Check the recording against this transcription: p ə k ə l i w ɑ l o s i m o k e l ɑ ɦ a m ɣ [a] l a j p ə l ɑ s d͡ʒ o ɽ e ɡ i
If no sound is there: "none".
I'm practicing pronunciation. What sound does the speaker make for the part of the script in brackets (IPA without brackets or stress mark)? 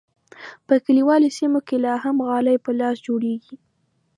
ɑ